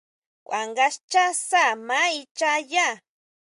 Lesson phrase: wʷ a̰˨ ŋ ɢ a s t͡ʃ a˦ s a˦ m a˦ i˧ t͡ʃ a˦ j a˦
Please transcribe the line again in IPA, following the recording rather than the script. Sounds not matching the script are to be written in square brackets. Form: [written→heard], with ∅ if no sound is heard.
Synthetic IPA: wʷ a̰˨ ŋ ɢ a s t͡ʃ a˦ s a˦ m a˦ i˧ t͡ʃ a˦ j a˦